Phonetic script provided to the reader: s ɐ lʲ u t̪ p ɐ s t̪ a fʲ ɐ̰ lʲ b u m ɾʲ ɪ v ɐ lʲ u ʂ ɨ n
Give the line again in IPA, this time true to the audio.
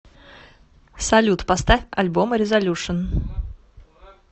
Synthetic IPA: s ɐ lʲ u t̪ p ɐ s t̪ a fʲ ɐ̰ lʲ b o m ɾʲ ɪ z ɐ lʲ u ʂ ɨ n